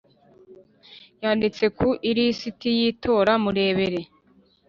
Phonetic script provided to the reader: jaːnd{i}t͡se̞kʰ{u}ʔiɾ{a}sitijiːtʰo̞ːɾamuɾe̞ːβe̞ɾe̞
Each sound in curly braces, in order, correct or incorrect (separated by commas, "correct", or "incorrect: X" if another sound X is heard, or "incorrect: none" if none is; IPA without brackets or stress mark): correct, correct, incorrect: i